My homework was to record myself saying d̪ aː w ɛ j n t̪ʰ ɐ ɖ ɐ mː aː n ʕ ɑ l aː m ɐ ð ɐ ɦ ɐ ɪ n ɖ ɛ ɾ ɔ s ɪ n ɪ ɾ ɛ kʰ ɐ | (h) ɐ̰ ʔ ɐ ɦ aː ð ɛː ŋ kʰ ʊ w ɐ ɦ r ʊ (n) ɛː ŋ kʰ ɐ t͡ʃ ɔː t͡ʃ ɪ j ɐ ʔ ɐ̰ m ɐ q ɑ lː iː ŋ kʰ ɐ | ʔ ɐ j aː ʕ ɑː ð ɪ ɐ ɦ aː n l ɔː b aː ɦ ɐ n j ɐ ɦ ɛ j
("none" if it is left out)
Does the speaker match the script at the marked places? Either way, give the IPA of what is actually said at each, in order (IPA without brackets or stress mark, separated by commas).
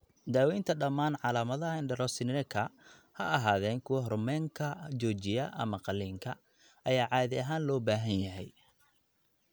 h, m